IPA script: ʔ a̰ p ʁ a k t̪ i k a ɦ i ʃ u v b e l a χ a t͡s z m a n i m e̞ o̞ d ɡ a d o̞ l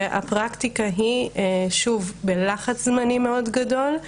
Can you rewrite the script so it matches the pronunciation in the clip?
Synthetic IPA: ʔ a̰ p ʁ a k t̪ i k a ɦ i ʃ u v b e l a χ a t͡s z m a n i m e̞ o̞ d ɡ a d o̞ l

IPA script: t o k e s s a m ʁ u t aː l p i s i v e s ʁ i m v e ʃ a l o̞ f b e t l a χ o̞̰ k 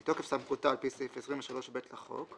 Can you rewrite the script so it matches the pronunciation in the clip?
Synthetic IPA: t o k e f s a m χ u t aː l p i s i f e s ʁ i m v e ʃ a l o̞ ʃ b e t l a χ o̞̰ k

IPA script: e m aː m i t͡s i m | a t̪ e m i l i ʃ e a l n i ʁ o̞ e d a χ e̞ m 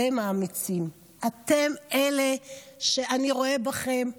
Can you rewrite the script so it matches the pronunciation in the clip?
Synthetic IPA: e m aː m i t͡s i m | a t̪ e m e l e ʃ e a n i ʁ o̞ e b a χ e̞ m

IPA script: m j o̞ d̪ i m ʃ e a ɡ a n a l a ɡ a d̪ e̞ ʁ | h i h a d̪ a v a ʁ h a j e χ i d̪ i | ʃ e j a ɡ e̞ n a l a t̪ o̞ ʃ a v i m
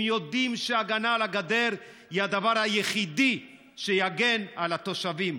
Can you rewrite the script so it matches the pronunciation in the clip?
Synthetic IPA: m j o̞ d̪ i m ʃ e a ɡ a n a l a ɡ a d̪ e̞ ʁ | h i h a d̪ a v a ʁ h a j e χ i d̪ i | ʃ e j a ɡ e̞ n a l a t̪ o̞ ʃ a v i m

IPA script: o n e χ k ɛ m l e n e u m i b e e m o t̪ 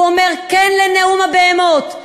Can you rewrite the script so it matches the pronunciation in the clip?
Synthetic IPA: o m e ʁ k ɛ n l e n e u m a b e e m o t̪

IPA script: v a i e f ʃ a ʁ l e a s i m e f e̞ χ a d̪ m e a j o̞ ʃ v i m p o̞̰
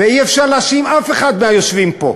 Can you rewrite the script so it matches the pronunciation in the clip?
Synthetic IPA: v e i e f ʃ a ʁ l e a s i m a f e̞ χ a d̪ m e a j o̞ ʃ v i m p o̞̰

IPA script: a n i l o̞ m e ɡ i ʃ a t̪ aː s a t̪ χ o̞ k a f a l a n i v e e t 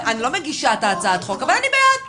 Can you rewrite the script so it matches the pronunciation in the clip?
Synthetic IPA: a n i l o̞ m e ɡ i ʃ a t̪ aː t͡s a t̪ χ o̞ k a v a l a n i b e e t

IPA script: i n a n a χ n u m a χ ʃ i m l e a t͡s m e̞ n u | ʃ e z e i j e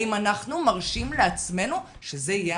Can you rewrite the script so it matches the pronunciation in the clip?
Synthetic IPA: i m a n a χ n u m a ʁ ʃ i m l e a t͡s m e̞ n u | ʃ e z e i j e

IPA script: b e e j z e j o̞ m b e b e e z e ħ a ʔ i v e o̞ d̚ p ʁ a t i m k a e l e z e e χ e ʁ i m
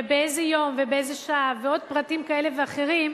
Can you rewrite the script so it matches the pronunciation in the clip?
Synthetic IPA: b e e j z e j o̞ m v e b e e z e ʃ a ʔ a v e o̞ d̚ p ʁ a t i m k a e l e v e a χ e ʁ i m

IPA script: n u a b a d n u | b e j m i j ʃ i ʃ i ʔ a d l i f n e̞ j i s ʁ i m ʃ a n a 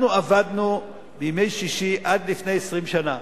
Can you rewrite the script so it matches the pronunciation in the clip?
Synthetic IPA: n u a v a d n u | b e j m e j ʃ i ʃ i ʔ a d l i f n e̞ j e s ʁ i m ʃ a n a

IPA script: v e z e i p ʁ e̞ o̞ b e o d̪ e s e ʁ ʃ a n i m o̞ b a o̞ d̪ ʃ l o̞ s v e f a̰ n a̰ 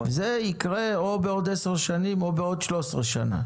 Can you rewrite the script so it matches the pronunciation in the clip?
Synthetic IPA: v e z e i k ʁ e̞ o̞ b e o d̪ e s e ʁ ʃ a n i m o̞ b e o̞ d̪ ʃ l o̞ s ʁ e ʃ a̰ n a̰

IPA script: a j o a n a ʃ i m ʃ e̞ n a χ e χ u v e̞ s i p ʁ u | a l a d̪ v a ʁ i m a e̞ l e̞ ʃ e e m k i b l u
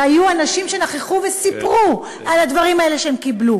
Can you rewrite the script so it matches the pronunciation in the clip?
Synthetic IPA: a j u a n a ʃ i m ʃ e̞ n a χ e χ u v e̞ s i p ʁ u | a l a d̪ v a ʁ i m a e̞ l e̞ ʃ e e m k i b l u

